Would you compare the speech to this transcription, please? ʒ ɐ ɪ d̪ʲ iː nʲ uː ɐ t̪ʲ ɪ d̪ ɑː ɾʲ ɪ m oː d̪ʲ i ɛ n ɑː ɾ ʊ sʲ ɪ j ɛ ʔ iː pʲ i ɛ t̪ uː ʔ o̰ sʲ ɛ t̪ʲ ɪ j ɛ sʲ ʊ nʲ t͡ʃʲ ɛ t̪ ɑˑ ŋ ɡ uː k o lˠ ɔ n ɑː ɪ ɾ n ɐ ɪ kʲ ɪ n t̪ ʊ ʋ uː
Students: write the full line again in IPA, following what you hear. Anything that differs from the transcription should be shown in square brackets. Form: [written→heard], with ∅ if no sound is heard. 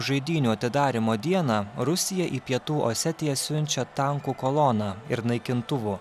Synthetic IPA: ʒ ɐ ɪ d̪ʲ iː nʲ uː ɐ t̪ʲ ɪ d̪ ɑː ɾʲ ɪ m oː d̪ʲ i ɛ n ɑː ɾ ʊ sʲ ɪ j ɛ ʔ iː pʲ i ɛ t̪ uː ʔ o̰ sʲ ɛ t̪ʲ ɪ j ɛ sʲ ʊ nʲ t͡ʃʲ ɛ t̪ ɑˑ ŋ [ɡ→k] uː k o lˠ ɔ n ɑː ɪ ɾ n ɐ ɪ kʲ ɪ n t̪ ʊ ʋ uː